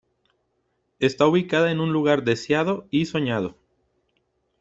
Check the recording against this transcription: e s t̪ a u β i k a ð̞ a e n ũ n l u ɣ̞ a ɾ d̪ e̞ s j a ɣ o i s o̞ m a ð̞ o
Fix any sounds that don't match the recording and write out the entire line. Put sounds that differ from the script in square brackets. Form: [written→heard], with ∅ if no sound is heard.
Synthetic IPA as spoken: e s t̪ a u β i k a ð̞ a e n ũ n l u ɣ̞ a ɾ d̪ e̞ s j a [ɣ→ð] o i s o̞ [m→ɲ] a ð̞ o